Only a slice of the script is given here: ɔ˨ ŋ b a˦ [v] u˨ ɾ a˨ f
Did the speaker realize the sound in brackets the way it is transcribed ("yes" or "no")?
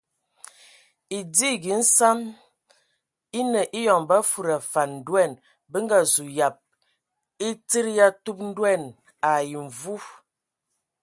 no